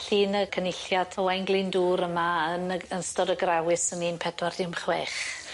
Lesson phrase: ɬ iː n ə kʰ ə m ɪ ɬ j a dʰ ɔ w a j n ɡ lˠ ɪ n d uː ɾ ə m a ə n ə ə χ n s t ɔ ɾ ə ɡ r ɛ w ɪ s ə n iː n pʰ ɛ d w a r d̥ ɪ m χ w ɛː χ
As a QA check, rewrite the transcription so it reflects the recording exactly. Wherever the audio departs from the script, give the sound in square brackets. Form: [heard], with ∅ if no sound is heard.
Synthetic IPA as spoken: ɬ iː n ə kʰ ə [n] ɪ ɬ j a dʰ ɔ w a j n ɡ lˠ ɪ n d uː ɾ ə m a ə n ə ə [∅] n s t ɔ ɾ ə ɡ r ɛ w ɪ s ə n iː n pʰ ɛ d w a r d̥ ɪ m χ w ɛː χ